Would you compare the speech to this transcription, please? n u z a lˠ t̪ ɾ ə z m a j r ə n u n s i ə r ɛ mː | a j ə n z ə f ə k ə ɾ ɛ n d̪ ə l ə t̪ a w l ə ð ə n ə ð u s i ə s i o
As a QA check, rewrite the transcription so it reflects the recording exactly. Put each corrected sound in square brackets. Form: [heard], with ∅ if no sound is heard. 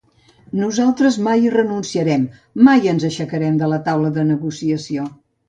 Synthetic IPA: n u z a lˠ t̪ ɾ ə z m a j r ə n u n s i ə [ɾ] ɛ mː | a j ə n z ə [ʃ] ə k ə ɾ ɛ [m] d̪ ə l ə t̪ a w l ə ð ə n ə [ɣ] u s i ə s i o